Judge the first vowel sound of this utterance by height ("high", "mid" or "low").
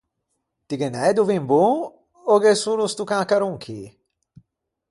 high